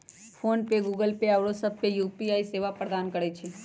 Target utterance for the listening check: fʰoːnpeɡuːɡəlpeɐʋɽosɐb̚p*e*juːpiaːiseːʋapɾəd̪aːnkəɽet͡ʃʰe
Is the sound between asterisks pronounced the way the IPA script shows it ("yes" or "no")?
yes